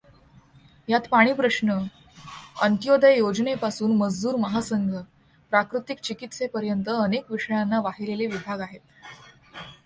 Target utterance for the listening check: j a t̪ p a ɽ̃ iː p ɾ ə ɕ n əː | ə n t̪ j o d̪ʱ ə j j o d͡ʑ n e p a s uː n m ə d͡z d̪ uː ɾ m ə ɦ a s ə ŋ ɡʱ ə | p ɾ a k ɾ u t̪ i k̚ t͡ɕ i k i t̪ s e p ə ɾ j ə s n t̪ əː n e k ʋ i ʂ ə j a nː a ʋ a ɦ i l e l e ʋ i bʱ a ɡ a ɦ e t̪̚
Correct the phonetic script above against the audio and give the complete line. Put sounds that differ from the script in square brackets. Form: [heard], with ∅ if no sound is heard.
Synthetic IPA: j a t̪ p a ɽ̃ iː p ɾ ə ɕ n [ə] | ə n t̪ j o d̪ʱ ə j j o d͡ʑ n e p a s uː n m ə d͡z d̪ uː ɾ m ə ɦ a s ə ŋ ɡʱ ə | p ɾ a k ɾ u t̪ i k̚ t͡ɕ i k i t̪ s e p ə ɾ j ə [∅] n t̪ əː n e k ʋ i ʂ ə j a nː a ʋ a ɦ i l e l e ʋ i bʱ a ɡ a ɦ e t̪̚